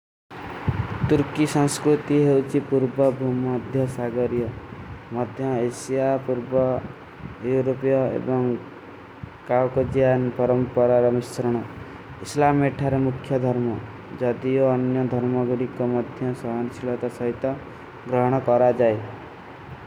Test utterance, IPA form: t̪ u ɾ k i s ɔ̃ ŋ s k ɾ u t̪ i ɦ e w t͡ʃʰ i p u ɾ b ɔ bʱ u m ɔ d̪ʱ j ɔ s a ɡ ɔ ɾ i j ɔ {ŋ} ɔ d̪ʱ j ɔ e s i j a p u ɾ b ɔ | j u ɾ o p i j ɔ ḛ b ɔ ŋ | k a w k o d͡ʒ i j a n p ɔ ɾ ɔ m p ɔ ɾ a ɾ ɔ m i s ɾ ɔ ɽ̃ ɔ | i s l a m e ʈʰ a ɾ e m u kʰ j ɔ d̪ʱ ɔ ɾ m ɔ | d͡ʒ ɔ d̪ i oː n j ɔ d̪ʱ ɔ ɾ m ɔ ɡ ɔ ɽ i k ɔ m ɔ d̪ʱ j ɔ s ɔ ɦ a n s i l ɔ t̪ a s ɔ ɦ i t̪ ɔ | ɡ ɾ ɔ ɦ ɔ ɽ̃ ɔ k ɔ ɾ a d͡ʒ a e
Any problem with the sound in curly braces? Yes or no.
yes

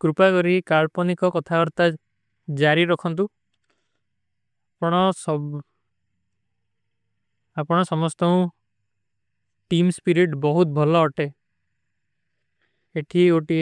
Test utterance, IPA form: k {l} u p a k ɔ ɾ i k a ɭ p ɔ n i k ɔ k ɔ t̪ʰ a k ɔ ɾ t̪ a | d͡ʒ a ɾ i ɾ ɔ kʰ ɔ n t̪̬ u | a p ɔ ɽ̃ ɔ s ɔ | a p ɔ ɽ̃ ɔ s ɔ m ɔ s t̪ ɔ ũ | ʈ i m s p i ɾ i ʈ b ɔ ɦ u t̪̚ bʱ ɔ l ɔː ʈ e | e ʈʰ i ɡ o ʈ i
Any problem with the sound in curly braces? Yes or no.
yes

